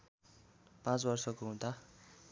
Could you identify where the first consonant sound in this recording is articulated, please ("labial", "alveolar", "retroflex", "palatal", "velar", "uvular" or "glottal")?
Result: labial